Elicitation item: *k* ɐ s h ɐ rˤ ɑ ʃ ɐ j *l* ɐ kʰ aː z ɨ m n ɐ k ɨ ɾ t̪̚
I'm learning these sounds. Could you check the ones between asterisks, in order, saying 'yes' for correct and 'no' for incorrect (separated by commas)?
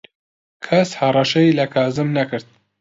no, yes